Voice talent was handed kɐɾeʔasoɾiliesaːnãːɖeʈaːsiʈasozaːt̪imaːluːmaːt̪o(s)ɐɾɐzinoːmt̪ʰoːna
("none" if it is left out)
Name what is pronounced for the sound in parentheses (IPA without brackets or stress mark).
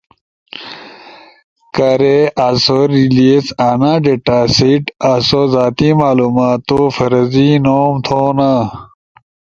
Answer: f